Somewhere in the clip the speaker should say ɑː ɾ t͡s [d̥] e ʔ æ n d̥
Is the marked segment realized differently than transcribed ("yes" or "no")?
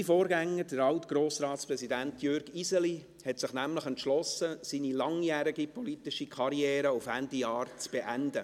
yes